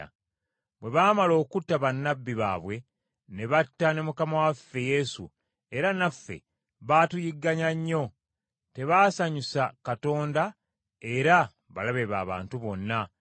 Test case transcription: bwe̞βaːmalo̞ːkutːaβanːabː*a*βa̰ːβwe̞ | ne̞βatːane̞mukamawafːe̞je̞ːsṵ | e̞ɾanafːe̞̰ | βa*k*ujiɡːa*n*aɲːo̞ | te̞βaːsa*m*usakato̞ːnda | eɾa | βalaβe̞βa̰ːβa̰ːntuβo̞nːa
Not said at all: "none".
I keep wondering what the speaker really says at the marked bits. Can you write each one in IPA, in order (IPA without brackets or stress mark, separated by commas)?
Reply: i, t, ɲ, ɲ